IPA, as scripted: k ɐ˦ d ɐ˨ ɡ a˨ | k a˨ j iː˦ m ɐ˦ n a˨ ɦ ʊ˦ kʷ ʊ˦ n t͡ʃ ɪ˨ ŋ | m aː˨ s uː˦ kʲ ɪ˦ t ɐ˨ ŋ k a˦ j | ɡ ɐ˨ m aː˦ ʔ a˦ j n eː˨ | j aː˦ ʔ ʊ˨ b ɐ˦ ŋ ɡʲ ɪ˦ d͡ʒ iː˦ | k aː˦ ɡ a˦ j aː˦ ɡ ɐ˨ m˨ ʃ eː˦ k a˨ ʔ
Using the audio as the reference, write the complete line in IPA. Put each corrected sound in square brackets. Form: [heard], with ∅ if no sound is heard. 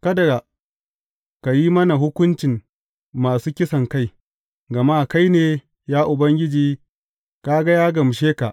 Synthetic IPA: k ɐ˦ d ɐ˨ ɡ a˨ | k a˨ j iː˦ m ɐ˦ n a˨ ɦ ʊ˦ kʷ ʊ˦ n t͡ʃ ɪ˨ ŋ | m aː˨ s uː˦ kʲ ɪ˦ [s] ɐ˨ ŋ k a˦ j | ɡ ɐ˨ m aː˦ [k] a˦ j n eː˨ | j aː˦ ʔ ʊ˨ b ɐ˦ ŋ ɡʲ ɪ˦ d͡ʒ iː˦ | k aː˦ ɡ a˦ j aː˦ ɡ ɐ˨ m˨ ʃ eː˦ k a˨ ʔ